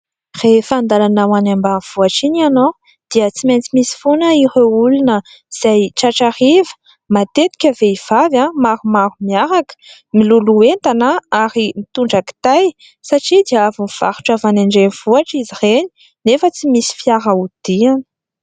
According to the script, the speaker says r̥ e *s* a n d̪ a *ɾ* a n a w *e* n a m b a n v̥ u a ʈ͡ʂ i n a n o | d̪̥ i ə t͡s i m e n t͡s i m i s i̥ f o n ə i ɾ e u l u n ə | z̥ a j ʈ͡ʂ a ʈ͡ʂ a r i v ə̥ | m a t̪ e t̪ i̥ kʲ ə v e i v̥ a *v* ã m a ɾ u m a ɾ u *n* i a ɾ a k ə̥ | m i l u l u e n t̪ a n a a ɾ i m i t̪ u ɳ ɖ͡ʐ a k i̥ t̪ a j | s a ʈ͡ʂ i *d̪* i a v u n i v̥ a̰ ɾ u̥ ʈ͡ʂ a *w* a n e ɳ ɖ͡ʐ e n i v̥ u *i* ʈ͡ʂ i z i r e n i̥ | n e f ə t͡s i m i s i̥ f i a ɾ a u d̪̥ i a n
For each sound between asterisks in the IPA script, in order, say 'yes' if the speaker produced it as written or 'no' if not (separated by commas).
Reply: no, no, no, yes, no, yes, no, no